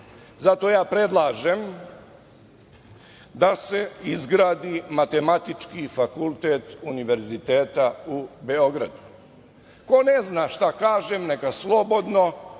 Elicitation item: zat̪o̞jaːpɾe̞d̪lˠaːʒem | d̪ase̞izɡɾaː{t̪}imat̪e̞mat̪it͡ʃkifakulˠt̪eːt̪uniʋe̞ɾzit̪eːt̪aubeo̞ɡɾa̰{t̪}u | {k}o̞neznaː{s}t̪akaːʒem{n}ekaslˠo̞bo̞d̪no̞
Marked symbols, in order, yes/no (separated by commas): no, no, yes, no, yes